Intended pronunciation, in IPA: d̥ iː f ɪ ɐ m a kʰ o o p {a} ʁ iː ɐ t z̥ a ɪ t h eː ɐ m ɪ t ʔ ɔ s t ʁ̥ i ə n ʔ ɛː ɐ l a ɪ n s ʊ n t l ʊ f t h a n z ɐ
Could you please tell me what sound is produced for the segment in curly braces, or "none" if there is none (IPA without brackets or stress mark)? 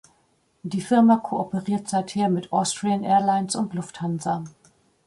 ə